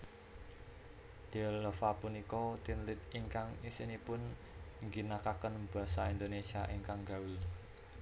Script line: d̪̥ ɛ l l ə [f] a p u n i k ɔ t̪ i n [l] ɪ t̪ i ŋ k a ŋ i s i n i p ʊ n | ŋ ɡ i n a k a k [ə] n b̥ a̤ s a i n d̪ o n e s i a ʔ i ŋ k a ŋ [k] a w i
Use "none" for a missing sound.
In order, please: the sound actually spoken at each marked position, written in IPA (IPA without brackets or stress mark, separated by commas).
f, l, ə, ɡ